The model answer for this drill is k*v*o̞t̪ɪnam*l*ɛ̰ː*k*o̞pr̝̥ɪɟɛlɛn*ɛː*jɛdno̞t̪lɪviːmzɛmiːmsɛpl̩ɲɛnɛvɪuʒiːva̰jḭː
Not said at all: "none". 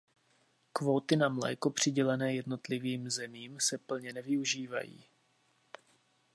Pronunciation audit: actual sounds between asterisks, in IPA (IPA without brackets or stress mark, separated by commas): v, l, k, ɛː